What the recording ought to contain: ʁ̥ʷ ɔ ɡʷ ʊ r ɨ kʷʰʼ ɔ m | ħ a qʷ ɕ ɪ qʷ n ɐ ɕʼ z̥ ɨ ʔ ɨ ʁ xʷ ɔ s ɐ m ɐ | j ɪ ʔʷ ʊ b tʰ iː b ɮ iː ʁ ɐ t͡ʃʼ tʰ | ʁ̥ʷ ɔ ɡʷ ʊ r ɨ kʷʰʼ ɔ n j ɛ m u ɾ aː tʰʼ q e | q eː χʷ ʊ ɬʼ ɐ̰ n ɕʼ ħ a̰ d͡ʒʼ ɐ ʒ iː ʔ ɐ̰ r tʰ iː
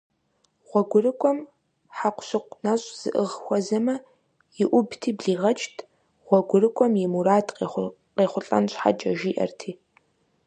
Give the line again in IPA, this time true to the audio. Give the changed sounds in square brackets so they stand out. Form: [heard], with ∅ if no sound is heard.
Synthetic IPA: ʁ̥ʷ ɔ ɡʷ ʊ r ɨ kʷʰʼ ɔ m | ħ a qʷ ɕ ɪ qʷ n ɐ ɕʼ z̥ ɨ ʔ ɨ ʁ xʷ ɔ [z] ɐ m ɐ | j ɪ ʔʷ ʊ b tʰ iː b ɮ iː ʁ ɐ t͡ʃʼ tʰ | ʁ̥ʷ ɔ ɡʷ ʊ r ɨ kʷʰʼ ɔ [m] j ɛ m u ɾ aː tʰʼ q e | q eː χʷ ʊ ɬʼ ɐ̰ n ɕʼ ħ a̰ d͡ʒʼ ɐ ʒ iː ʔ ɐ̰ r tʰ iː